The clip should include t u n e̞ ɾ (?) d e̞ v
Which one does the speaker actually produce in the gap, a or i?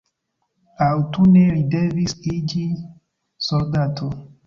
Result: i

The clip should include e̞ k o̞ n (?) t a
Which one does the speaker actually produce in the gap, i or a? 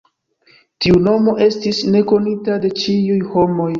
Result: i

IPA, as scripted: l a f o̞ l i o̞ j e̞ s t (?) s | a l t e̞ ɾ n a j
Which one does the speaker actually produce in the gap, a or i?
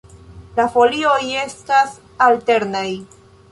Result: a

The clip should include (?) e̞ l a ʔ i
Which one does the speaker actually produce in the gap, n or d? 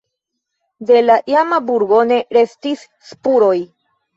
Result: d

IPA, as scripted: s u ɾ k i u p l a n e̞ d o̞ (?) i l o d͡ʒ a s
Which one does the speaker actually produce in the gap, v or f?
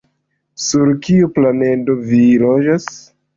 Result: v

